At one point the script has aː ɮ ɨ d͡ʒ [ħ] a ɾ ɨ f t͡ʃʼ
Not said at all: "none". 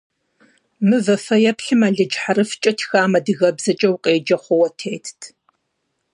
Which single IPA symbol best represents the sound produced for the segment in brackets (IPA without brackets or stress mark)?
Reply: ħ